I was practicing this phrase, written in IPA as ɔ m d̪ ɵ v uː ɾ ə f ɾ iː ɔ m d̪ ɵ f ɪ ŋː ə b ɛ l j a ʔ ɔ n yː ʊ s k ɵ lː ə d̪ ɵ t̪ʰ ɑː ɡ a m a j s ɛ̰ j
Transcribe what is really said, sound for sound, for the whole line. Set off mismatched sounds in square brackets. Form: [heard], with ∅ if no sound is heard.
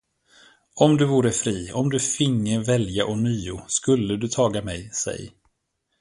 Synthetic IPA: ɔ m d̪ ɵ v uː ɾ ə f ɾ iː ɔ m d̪ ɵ f ɪ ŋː ə [v] ɛ l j a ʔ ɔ n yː ʊ s k ɵ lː ə d̪ ɵ t̪ʰ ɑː ɡ a m [ɛ] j s ɛ̰ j